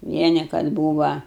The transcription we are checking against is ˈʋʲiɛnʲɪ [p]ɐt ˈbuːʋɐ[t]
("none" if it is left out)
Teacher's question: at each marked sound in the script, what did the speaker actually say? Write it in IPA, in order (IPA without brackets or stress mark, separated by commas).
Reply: k, none